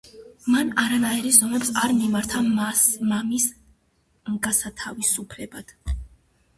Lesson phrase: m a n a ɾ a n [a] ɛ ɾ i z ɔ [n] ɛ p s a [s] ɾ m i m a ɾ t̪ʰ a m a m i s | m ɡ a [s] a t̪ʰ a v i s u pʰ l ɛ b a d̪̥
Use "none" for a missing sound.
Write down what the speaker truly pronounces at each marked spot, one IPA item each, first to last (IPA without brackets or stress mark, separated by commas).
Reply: a, m, none, s